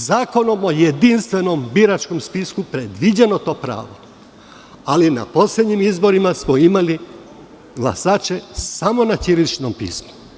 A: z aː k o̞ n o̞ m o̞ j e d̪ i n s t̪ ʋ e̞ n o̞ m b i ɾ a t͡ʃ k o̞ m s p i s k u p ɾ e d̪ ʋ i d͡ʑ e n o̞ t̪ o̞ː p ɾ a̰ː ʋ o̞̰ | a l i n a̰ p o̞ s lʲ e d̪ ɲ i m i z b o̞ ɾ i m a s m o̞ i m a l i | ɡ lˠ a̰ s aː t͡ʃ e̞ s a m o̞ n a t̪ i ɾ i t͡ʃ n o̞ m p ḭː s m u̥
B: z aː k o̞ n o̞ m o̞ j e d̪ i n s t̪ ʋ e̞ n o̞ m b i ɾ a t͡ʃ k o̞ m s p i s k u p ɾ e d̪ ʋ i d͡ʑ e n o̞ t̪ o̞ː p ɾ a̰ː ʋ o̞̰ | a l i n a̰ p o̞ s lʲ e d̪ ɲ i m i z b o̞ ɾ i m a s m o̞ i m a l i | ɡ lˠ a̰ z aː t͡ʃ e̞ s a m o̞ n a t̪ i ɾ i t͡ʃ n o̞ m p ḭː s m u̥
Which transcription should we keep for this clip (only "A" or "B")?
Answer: A